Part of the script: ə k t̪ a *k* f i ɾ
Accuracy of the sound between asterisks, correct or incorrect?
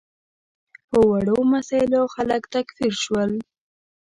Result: correct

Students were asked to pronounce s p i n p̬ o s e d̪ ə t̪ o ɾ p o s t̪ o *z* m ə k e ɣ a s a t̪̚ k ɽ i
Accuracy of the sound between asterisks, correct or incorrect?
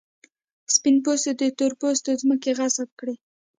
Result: correct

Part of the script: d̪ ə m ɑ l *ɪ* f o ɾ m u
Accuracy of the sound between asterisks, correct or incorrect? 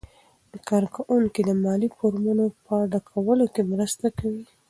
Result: incorrect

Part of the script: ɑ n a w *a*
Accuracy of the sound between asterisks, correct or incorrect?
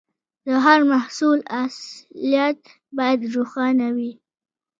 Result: incorrect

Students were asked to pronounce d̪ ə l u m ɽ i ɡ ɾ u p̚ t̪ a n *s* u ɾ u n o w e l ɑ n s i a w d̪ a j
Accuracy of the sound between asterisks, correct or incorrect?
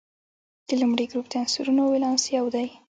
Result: correct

